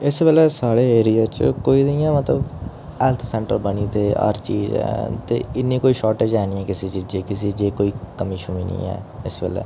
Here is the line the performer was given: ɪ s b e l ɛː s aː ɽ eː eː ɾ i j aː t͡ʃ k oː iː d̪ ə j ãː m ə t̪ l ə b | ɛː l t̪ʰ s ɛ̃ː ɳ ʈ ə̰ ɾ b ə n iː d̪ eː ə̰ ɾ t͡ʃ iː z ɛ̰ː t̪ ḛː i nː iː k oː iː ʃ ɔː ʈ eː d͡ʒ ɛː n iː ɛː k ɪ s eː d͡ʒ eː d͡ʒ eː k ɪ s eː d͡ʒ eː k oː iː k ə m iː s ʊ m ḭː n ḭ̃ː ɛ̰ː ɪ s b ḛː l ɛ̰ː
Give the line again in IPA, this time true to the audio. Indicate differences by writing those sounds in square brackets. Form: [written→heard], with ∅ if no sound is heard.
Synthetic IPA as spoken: ɪ s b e l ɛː s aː ɽ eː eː ɾ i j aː t͡ʃ k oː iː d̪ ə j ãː m ə t̪ l ə b | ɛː l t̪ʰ s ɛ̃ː ɳ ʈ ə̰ ɾ b ə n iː [d̪→t̪] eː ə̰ ɾ t͡ʃ iː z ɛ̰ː t̪ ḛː [i→ɪ] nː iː k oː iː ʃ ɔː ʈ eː d͡ʒ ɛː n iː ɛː k ɪ s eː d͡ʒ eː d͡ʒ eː k ɪ s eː d͡ʒ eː k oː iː k ə m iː [s→ʃ] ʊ m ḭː n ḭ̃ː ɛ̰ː ɪ s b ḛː l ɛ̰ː